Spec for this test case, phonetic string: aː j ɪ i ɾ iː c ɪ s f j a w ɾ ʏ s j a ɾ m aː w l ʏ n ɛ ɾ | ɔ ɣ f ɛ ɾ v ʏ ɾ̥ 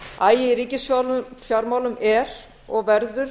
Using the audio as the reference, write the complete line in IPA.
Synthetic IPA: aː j ɪ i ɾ iː c ɪ s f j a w l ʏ f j a ɾ m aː w l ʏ m ɛ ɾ | ɔ ɣ v ɛ ɾ ð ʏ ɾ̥